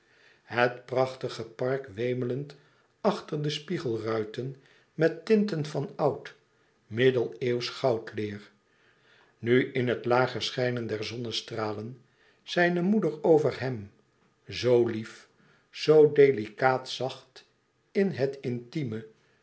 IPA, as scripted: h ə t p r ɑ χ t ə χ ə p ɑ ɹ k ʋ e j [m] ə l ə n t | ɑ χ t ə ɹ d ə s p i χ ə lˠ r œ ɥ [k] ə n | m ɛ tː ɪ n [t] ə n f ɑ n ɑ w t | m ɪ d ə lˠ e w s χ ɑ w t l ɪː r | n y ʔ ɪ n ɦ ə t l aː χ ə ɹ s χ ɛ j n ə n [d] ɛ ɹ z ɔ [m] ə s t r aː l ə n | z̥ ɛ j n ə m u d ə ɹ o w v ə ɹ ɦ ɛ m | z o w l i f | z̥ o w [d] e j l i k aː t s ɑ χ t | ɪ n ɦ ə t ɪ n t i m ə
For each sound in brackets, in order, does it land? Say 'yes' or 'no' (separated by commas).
yes, no, yes, yes, no, yes